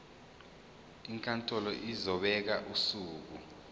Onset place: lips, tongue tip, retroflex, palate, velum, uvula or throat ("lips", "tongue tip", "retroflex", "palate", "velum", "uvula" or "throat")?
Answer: velum